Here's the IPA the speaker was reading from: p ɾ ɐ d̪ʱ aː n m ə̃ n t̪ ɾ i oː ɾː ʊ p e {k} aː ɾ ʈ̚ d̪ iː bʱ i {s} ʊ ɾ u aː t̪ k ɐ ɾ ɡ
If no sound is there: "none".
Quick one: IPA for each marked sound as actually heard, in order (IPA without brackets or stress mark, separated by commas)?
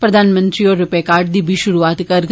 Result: k, ʃ